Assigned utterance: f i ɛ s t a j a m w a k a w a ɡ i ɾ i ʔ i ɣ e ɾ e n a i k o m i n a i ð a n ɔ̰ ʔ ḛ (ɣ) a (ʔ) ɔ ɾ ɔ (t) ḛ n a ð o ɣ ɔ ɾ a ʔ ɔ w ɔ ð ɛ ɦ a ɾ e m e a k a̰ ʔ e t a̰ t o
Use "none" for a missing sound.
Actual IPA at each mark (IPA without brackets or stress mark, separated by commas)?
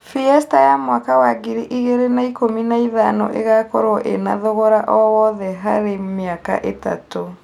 ɣ, k, ʔ